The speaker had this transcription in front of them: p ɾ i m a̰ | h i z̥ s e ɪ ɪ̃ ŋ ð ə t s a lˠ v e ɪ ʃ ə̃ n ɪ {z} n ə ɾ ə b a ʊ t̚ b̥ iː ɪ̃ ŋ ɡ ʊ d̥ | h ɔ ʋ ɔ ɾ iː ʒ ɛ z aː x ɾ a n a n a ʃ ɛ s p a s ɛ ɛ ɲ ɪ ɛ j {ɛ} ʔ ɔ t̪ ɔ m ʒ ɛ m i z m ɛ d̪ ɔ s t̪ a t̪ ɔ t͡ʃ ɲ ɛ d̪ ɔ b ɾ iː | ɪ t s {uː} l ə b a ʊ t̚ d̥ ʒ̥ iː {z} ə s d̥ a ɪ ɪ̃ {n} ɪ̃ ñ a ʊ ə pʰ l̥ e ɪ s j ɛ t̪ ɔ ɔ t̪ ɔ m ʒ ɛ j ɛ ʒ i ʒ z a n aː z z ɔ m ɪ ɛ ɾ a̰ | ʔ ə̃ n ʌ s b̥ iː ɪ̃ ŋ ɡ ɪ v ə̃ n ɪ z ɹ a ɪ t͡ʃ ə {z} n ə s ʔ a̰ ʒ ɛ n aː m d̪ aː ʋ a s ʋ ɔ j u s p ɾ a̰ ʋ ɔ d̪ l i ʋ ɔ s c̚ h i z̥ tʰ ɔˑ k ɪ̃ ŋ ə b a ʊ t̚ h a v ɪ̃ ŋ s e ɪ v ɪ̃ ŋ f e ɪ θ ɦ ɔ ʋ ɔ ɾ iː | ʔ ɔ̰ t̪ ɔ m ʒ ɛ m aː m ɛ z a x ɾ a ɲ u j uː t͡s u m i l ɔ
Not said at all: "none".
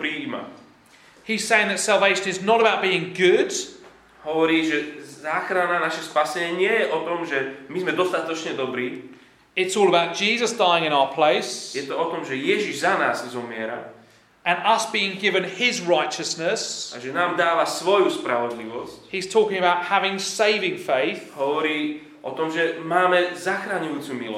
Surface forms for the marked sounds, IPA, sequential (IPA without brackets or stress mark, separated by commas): z, ɛ, ɔː, z, ŋ, s